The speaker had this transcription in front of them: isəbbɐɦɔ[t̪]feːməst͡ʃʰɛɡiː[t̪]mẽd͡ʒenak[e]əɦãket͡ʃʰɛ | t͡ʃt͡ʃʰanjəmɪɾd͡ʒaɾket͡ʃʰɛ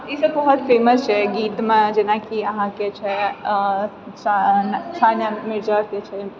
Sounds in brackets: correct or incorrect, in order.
correct, correct, incorrect: i

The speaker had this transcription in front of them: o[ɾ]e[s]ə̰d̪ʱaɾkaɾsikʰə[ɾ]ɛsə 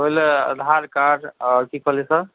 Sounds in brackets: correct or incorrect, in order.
incorrect: l, incorrect: none, incorrect: l

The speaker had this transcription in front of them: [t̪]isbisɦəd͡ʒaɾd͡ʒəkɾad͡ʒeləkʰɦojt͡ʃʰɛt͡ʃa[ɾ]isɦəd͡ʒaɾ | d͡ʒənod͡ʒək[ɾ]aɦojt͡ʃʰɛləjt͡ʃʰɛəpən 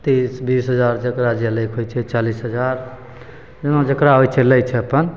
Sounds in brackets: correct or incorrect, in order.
correct, incorrect: l, correct

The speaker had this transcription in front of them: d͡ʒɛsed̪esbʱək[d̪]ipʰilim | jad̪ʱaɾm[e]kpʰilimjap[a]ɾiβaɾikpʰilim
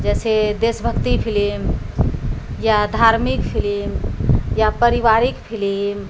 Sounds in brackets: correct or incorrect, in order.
incorrect: t̪, incorrect: i, incorrect: ə

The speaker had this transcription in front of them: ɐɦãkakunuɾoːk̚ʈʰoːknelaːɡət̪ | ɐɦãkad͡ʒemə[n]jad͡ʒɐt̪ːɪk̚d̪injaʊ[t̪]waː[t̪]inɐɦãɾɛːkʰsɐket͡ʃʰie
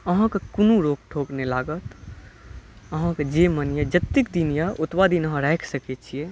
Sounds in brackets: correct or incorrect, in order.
correct, correct, incorrect: d̪

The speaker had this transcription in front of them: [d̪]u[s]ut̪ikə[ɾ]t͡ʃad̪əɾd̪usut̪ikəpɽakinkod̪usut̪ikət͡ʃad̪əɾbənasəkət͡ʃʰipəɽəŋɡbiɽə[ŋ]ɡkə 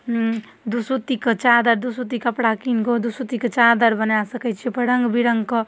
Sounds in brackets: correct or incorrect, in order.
correct, correct, incorrect: none, correct

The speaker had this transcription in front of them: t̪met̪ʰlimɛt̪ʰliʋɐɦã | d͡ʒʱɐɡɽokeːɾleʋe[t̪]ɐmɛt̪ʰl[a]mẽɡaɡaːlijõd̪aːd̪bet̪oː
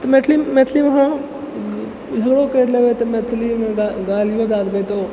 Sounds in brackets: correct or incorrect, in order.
correct, incorrect: i

